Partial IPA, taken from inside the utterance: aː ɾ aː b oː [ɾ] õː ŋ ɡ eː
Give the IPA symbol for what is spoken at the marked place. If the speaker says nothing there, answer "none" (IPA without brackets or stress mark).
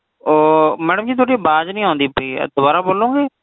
l